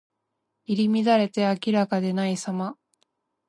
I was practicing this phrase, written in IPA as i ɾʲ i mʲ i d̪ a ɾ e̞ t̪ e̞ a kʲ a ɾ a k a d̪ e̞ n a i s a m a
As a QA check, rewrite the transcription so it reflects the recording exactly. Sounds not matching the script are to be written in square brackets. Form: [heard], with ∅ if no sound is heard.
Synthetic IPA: i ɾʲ i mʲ i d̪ a ɾ e̞ t̪ e̞ a kʲ [i] ɾ a k a d̪ e̞ n a i s a m a